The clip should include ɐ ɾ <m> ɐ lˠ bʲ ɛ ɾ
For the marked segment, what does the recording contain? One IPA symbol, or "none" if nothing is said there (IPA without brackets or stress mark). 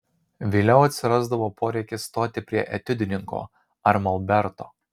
m